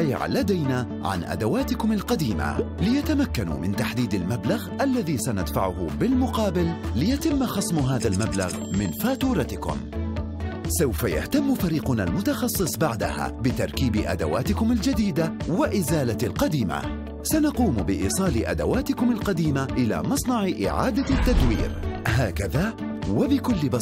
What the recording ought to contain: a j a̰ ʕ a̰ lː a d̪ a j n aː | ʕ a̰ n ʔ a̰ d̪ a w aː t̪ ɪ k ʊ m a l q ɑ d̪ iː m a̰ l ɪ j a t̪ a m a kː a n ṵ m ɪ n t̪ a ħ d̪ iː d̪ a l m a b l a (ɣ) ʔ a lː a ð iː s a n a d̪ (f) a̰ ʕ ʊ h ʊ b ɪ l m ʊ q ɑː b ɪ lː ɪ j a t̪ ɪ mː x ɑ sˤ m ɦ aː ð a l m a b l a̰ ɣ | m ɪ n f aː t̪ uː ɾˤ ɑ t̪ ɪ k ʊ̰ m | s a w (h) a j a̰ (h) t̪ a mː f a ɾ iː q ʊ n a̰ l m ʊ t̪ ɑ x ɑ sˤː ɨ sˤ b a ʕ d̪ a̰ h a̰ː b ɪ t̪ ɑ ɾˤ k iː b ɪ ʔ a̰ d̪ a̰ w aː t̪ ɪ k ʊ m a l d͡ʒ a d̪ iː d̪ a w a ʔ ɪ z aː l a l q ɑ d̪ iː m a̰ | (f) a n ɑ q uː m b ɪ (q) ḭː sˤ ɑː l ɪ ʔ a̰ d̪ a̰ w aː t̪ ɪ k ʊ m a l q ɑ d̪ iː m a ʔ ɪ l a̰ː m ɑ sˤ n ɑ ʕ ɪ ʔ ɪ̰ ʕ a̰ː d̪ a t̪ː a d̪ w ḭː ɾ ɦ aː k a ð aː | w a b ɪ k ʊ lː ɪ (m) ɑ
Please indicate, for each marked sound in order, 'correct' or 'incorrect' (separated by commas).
correct, correct, incorrect, correct, incorrect, incorrect, incorrect